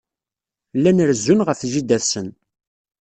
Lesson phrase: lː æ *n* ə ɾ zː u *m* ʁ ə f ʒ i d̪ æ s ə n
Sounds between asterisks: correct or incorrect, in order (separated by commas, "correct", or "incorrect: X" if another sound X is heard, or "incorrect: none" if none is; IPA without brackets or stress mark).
correct, incorrect: n